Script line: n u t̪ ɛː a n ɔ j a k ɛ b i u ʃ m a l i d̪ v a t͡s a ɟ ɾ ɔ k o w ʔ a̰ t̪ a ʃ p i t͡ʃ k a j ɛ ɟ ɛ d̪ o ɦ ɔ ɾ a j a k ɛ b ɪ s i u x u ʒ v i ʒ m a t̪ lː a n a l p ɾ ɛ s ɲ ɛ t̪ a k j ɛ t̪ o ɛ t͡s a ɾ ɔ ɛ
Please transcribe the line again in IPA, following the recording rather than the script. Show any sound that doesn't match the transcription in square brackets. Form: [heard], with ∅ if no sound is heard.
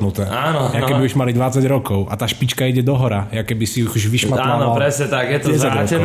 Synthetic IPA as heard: n u t̪ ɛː a n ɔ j a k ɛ b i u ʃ m a l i d̪ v a t͡s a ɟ ɾ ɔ k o w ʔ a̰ t̪ a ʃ p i t͡ʃ k a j ɛ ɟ ɛ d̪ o ɦ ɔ ɾ a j a k ɛ b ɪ s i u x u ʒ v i [ʃ] m a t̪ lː a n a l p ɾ ɛ s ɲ ɛ t̪ a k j ɛ t̪ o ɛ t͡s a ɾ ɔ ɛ